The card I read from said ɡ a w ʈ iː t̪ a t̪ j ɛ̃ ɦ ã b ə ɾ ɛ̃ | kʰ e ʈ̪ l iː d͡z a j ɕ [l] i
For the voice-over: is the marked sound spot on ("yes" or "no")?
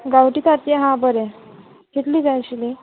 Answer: yes